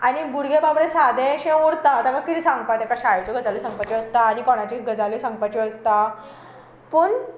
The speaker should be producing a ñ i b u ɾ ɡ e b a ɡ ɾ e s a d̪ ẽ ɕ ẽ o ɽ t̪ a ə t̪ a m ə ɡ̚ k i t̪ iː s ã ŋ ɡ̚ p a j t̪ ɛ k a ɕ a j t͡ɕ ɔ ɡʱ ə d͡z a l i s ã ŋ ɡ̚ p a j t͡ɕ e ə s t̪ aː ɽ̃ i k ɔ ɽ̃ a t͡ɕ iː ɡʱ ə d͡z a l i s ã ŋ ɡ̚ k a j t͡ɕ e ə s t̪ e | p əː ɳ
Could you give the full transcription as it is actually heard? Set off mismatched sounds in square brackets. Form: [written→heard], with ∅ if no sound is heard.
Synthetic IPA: a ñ i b u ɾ ɡ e b a [ɡ→b] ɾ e s a d̪ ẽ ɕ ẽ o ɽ t̪ a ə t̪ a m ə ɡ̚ k i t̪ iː s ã ŋ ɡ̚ p a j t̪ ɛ k a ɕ a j t͡ɕ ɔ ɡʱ ə d͡z a l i s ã ŋ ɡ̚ p a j t͡ɕ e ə s t̪ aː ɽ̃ i k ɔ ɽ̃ a t͡ɕ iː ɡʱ ə d͡z a l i s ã ŋ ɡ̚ [k→p] a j t͡ɕ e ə s t̪ [e→a] | p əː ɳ